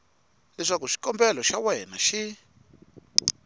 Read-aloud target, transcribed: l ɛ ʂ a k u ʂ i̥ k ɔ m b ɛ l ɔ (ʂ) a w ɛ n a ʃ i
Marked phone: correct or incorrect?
incorrect